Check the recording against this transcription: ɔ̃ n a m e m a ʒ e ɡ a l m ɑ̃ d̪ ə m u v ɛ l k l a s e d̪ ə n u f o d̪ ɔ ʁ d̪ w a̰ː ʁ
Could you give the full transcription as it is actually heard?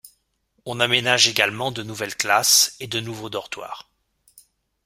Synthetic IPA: ɔ̃ n a m e n a ʒ e ɡ a l m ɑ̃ d̪ ə n u v ɛ l k l a s e d̪ ə n u v o d̪ ɔ ʁ t̪ w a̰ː ʁ